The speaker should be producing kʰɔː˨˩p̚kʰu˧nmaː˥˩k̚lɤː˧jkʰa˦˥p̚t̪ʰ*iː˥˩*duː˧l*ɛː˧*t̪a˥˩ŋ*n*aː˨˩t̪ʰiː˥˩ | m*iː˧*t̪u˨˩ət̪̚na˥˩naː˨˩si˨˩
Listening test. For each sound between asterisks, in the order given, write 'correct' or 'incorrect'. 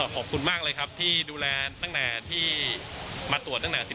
correct, correct, correct, incorrect: aː˧

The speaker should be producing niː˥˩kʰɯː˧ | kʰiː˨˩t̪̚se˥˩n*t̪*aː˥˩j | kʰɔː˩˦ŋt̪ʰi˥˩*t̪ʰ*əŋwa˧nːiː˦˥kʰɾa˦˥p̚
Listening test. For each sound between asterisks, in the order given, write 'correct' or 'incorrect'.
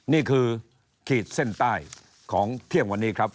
correct, incorrect: none

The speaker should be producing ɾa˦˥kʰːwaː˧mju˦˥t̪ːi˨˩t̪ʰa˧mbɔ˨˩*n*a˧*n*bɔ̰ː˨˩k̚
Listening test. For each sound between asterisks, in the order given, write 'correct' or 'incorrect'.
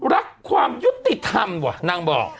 correct, incorrect: ŋ

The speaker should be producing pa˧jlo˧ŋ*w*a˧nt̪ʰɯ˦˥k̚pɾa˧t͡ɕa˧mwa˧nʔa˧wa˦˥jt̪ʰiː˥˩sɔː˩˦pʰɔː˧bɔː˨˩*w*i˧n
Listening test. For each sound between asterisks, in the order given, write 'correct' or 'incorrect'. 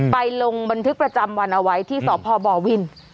incorrect: b, correct

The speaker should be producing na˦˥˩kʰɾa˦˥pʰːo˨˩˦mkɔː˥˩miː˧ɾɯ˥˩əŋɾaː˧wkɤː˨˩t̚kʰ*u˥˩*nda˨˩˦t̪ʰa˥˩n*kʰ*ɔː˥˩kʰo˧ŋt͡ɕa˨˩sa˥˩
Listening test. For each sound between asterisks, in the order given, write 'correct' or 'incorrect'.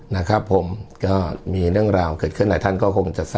incorrect: ɯ˥˩, incorrect: k

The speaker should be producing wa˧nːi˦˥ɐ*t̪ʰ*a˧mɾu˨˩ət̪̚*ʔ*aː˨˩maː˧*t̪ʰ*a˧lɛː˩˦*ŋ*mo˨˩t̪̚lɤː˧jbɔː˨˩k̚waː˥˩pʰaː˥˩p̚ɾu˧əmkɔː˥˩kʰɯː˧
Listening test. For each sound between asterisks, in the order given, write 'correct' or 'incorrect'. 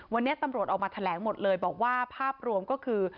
incorrect: t̪, correct, correct, correct

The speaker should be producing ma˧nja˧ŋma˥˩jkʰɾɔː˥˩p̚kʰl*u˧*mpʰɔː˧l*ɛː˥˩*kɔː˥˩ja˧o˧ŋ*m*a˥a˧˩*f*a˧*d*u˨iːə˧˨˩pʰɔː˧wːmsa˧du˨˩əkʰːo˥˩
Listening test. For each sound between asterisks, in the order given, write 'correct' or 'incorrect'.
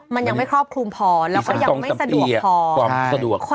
correct, incorrect: ɛː˦˥, correct, incorrect: s, correct

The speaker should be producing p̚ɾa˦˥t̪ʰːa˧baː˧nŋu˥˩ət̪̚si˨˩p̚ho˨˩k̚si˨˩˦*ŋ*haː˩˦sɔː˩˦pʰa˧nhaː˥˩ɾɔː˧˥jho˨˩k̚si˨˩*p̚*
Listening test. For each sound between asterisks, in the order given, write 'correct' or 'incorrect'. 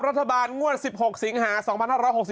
correct, incorrect: none

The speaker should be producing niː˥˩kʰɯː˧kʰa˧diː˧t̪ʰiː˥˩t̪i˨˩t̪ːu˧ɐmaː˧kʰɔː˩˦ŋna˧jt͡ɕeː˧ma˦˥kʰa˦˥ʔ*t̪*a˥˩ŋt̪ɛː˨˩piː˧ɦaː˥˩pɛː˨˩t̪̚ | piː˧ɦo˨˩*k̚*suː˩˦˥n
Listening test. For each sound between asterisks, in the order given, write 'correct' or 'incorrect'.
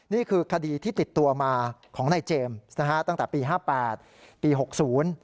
correct, correct

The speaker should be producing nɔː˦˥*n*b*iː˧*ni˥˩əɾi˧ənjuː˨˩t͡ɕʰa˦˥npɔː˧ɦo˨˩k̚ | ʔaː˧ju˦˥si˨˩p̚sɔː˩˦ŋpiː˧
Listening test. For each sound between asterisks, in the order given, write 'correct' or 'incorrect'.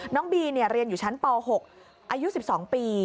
incorrect: ŋ, correct

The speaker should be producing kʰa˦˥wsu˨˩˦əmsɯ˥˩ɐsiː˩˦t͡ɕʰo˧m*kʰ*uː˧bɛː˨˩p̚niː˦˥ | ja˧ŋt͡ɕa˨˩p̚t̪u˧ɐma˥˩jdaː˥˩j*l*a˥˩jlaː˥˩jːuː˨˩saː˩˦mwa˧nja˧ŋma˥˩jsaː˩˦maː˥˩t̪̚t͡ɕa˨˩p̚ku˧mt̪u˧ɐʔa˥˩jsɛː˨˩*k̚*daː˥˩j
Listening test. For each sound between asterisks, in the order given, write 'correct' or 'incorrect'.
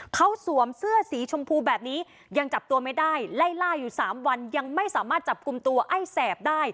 incorrect: pʰ, correct, incorrect: p̚

